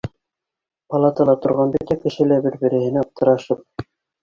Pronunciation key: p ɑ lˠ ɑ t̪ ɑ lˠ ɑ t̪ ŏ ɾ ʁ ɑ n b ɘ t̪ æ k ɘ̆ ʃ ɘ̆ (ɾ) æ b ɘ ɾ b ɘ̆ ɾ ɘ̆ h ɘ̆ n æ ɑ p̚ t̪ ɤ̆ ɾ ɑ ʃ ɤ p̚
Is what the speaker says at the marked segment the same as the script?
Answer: no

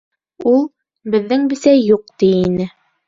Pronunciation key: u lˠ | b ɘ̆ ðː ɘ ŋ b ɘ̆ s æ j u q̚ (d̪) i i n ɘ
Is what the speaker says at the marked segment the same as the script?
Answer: no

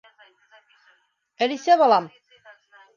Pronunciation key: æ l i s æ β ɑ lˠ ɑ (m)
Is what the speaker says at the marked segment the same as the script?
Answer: yes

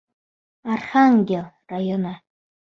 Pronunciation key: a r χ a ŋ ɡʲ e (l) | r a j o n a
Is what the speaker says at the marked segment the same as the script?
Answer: yes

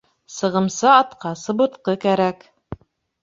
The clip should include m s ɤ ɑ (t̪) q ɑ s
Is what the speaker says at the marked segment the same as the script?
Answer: yes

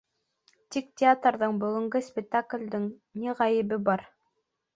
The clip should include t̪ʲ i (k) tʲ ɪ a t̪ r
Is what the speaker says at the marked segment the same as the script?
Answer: yes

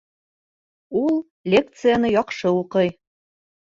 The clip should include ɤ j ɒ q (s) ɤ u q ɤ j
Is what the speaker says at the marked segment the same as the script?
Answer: no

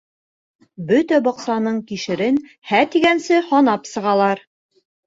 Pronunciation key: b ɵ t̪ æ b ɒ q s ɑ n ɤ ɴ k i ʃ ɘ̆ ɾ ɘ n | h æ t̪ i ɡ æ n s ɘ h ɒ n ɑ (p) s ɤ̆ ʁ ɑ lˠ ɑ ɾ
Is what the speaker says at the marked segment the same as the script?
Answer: yes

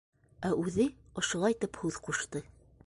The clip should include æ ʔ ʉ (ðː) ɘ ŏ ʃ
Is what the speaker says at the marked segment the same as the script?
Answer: no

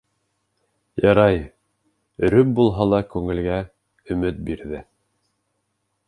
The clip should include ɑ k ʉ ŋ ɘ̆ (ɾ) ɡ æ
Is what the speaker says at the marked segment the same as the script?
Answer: no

